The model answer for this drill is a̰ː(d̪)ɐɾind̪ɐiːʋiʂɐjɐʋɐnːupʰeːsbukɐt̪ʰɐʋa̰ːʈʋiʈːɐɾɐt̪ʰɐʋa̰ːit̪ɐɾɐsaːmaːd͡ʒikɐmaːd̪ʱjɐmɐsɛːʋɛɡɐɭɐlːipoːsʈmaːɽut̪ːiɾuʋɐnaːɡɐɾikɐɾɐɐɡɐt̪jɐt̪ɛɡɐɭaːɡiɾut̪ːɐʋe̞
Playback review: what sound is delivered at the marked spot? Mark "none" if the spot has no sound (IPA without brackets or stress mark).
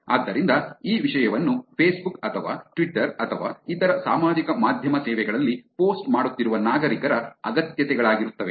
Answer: d̪ː